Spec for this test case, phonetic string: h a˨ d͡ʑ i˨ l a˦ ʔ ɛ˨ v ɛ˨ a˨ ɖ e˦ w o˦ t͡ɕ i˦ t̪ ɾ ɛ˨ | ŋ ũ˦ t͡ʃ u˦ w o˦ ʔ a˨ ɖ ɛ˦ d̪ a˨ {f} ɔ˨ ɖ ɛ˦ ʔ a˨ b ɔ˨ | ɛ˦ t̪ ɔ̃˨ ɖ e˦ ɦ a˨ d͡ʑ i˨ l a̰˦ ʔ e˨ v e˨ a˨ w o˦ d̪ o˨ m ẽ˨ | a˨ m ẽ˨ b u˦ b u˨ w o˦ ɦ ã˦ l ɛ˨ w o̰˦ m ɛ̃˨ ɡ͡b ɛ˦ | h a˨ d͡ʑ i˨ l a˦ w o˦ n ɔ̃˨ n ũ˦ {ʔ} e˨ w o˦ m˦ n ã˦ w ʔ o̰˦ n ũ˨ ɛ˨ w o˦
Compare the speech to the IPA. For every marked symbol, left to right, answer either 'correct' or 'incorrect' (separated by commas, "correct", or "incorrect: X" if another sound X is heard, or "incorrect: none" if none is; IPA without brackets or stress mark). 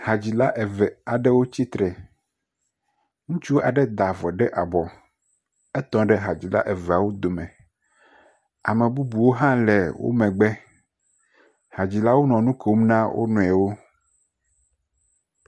incorrect: v, incorrect: k